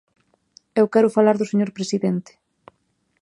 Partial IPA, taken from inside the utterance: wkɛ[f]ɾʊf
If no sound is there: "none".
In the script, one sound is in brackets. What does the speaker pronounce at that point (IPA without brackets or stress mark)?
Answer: none